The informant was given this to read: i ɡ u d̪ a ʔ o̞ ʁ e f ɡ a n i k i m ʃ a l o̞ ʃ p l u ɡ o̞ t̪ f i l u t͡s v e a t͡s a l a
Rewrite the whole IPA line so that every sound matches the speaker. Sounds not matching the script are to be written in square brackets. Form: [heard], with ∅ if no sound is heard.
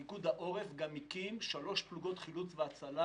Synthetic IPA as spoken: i ɡ u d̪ a ʔ o̞ ʁ e f ɡ a [m] i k i m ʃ a l o̞ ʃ p l u ɡ o̞ t̪ [χ] i l u t͡s v e a t͡s a l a